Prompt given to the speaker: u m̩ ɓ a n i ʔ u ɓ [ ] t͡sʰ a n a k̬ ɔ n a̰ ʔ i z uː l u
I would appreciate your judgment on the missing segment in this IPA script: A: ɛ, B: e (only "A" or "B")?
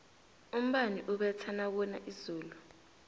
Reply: A